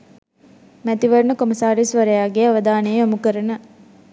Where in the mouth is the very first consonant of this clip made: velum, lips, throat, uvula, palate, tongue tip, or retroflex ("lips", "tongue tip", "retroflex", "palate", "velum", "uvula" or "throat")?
lips